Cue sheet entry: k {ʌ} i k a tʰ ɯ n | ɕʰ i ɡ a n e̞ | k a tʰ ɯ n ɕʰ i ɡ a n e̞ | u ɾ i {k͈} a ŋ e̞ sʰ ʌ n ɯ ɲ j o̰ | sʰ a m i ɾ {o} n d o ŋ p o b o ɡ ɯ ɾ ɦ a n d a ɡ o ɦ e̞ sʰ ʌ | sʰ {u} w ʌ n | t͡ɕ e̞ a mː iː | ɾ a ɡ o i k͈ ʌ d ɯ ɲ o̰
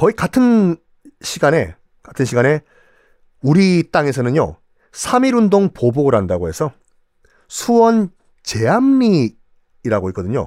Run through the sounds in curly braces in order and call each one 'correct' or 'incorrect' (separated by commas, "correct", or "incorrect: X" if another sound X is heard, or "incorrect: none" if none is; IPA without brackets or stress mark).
correct, incorrect: t͈, incorrect: u, correct